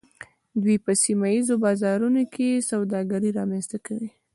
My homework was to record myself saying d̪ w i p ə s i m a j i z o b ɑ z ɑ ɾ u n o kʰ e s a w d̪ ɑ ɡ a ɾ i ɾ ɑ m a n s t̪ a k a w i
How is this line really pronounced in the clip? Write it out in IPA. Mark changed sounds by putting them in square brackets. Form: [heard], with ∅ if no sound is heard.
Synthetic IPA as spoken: d̪ w i p ə s i m a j i z o b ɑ z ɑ ɾ u n o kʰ e s a w d̪ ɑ ɡ a ɾ i ɾ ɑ m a n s t̪ a k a w i